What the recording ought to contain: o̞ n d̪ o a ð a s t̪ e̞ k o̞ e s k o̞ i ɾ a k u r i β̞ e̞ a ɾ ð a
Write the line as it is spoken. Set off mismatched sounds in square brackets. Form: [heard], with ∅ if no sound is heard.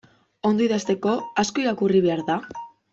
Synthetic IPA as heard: o̞ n d̪ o [i] ð a s t̪ e̞ k o̞ [a] s k o̞ i ɾ a k u r i β̞ e̞ a ɾ ð a